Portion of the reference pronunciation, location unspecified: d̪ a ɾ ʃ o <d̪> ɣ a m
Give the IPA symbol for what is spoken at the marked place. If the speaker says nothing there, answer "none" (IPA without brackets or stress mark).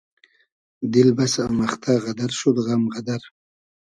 d̪